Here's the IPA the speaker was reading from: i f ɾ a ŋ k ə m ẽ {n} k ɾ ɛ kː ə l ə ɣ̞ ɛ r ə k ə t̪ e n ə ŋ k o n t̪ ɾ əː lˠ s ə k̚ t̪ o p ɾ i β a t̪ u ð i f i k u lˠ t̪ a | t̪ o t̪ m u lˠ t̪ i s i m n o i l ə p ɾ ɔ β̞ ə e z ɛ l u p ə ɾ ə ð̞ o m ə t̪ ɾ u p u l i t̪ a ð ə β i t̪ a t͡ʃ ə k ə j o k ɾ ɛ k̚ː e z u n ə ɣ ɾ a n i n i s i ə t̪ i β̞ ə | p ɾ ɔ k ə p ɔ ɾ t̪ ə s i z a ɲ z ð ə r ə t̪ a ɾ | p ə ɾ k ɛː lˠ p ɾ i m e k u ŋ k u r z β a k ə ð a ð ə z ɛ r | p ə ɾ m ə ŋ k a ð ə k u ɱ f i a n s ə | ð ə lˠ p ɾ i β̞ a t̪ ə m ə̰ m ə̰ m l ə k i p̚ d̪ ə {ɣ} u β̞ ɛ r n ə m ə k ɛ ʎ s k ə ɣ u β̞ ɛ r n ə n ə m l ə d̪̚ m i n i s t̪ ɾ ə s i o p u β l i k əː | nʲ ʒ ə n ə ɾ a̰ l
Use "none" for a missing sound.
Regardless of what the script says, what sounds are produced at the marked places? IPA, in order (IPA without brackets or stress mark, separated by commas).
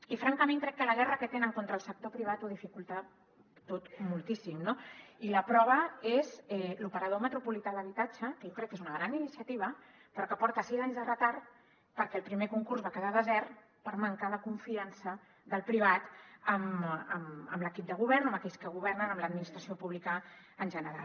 ŋ, ɣ